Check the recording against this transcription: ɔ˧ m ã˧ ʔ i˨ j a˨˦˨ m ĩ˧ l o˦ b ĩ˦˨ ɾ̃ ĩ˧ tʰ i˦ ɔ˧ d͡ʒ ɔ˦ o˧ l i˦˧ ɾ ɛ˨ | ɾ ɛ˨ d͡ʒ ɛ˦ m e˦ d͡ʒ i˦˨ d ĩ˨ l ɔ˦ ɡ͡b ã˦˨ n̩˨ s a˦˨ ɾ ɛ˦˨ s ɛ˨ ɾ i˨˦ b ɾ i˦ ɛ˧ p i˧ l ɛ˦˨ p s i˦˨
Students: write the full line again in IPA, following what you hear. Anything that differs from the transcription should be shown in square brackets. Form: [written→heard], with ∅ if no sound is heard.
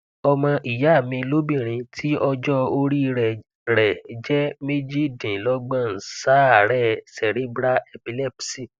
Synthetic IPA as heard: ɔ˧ m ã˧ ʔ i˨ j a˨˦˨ m ĩ˧ l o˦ b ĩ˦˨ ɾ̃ ĩ˧ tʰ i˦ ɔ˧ d͡ʒ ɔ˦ o˧ [l→ɾ] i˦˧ ɾ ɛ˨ | ɾ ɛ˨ d͡ʒ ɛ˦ m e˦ d͡ʒ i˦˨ d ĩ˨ l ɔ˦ ɡ͡b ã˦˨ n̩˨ s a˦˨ ɾ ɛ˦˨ s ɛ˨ ɾ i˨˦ b ɾ [i˦→a˦] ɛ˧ p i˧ l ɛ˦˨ p s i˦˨